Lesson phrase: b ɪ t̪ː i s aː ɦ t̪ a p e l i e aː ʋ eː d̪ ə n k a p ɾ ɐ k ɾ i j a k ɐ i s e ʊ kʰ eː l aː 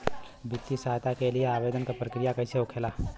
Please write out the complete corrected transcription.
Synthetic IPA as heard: b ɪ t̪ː i s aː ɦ t̪ a k e l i e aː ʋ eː d̪ ə n k a p ɾ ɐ k ɾ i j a k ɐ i s e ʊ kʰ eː l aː